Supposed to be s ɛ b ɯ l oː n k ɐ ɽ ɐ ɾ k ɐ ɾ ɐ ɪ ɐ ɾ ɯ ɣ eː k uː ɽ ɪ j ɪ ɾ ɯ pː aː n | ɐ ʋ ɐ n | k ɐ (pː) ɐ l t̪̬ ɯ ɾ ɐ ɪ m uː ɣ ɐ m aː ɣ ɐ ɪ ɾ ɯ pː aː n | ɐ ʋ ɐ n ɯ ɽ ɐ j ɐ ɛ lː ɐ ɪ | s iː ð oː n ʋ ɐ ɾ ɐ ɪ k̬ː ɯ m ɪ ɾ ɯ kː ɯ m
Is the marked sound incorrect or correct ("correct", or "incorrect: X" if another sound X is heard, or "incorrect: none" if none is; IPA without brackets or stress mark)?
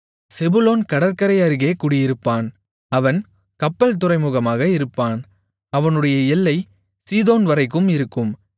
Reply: correct